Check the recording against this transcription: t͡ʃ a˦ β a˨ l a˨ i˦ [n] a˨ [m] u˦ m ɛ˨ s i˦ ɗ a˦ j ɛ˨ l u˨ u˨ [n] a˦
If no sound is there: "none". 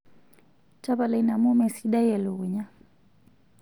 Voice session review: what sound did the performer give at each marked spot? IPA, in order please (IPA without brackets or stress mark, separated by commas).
n, m, ɲ